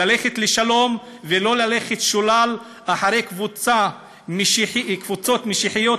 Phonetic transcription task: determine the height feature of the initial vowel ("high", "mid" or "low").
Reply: low